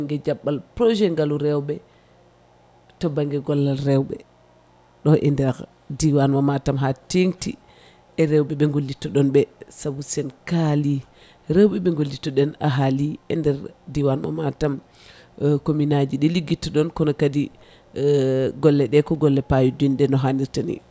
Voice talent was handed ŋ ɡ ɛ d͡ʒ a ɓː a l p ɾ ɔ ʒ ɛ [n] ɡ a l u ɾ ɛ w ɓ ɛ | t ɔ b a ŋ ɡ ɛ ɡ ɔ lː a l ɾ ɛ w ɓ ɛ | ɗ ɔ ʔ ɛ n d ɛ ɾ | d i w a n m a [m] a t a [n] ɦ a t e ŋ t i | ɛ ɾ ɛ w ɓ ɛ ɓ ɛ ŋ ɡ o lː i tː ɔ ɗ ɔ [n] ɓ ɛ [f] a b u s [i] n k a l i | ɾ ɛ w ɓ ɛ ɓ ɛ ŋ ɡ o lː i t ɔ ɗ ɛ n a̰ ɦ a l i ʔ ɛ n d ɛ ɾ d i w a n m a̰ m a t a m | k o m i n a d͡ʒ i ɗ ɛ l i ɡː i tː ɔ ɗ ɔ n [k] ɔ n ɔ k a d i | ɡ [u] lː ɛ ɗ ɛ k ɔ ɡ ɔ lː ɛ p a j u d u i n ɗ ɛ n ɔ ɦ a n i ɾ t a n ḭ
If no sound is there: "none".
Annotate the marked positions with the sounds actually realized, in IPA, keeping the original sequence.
ŋ, m, m, n, s, ɛ, k, ɔ

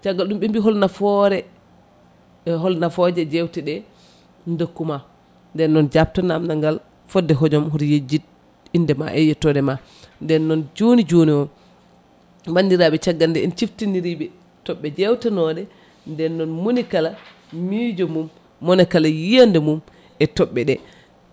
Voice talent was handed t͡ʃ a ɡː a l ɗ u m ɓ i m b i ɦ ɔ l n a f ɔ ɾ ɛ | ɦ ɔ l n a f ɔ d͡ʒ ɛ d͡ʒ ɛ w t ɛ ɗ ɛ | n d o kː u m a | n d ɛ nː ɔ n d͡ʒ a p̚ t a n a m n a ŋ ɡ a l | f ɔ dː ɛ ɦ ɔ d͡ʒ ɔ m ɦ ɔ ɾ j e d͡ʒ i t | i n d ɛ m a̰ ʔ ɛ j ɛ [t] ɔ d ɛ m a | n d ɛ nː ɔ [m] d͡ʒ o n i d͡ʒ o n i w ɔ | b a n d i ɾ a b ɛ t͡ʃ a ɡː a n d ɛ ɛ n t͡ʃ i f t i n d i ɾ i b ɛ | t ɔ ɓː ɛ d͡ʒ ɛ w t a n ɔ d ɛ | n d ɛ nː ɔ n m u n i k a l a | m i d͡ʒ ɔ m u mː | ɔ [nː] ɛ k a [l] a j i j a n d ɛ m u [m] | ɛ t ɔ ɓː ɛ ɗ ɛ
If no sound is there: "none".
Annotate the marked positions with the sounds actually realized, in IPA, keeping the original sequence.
t, n, n, l, m

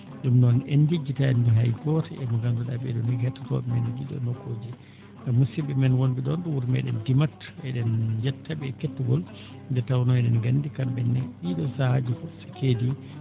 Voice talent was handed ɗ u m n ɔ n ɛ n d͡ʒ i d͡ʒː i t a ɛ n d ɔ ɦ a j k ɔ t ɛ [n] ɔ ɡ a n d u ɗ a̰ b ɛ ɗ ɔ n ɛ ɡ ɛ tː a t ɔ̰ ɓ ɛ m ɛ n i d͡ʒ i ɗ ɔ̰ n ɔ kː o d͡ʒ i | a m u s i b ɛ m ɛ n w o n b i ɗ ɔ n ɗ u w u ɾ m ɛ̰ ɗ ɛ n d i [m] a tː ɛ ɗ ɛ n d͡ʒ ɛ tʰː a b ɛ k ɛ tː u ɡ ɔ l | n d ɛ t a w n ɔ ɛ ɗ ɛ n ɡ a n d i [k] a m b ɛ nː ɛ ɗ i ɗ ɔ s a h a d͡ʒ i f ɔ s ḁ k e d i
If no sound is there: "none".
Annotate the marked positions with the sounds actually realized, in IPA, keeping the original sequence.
m, m, k

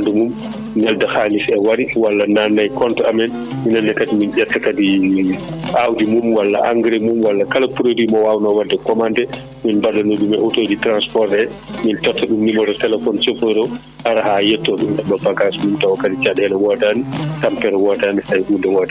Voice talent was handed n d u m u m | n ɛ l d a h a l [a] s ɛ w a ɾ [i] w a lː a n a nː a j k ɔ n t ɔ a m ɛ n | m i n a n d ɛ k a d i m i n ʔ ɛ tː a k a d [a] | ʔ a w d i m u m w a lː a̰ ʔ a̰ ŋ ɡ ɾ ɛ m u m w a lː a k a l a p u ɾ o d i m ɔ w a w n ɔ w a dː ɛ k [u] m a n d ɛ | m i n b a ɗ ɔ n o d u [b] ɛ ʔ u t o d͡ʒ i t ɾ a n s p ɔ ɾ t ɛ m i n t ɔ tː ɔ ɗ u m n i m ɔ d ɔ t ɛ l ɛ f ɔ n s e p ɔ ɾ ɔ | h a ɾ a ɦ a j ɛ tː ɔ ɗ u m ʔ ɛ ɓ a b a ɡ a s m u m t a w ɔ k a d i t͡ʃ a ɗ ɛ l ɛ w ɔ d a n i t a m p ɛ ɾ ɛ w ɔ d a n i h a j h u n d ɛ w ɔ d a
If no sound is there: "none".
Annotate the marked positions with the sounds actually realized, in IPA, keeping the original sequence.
i, i, i, ɔ, m

